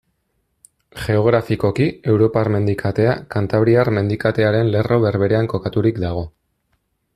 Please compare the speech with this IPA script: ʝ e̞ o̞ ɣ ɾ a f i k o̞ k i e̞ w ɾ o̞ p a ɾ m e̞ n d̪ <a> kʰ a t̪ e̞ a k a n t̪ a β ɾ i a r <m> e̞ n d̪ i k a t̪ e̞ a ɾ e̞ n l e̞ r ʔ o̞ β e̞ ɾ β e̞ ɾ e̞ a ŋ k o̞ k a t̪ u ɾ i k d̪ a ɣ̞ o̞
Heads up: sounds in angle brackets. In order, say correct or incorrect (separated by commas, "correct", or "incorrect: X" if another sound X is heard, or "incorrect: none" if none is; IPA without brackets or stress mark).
incorrect: i, correct